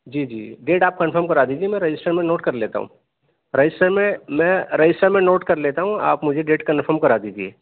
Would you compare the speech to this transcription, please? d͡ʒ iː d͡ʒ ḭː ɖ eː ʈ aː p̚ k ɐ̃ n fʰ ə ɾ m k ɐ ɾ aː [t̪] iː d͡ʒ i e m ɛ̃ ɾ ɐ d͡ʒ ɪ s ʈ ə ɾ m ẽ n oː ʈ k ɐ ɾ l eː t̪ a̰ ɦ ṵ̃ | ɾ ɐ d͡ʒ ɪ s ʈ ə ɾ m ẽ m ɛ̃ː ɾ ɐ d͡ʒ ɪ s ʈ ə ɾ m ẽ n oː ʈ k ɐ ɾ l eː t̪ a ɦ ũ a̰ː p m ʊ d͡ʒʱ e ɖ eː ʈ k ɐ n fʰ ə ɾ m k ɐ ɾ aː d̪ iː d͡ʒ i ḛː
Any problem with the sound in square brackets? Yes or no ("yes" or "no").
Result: yes